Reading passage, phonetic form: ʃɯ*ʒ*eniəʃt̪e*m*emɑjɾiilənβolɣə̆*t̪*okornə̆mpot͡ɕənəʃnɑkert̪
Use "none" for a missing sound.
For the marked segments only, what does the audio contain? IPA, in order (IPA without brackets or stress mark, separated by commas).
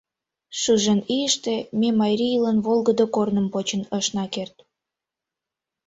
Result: ʒ, m, d̪